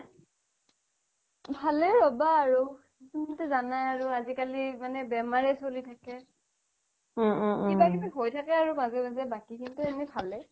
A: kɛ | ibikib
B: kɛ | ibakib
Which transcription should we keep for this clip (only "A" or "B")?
B